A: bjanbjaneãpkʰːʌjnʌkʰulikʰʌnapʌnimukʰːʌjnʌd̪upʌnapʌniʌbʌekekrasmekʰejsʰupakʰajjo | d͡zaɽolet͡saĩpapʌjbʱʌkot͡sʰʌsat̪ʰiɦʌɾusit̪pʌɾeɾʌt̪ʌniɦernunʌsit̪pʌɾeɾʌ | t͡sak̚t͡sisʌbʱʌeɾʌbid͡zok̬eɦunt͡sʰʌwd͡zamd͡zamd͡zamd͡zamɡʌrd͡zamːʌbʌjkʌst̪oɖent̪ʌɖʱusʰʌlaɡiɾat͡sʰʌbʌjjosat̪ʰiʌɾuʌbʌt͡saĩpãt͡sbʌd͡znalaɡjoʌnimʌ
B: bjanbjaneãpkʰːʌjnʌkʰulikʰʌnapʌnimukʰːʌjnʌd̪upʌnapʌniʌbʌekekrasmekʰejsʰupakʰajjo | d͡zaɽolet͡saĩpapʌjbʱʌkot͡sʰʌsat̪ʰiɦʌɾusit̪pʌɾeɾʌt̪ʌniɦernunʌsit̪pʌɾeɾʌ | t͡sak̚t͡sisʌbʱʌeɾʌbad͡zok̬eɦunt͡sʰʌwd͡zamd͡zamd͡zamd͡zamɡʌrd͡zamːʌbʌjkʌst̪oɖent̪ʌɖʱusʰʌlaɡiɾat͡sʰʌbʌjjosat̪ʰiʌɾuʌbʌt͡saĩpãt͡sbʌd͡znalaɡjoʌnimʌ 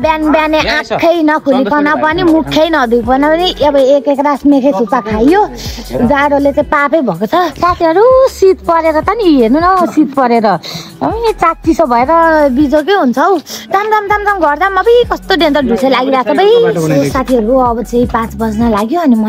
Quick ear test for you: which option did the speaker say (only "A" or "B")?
A